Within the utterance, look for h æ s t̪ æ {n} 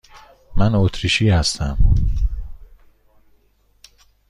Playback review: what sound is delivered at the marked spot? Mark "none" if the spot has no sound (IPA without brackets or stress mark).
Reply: m